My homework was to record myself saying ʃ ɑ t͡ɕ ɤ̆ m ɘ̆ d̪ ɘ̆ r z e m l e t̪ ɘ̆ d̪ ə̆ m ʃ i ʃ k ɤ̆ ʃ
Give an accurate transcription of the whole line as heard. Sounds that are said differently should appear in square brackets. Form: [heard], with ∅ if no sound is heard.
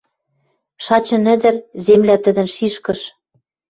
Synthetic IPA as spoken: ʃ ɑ t͡ɕ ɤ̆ [n] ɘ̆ d̪ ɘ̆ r z e m l [æ] t̪ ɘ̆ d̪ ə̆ [n] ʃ i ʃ k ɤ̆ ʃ